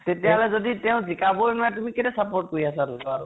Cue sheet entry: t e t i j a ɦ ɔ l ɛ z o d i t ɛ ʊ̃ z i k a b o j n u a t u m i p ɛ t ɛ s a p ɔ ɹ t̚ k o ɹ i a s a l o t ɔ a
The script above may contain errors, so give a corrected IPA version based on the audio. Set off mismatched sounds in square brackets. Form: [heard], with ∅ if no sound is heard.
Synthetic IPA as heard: t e t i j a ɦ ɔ l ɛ z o d i t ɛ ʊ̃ z i k a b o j n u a t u m i [k] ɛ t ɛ s a p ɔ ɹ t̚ k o ɹ i a s a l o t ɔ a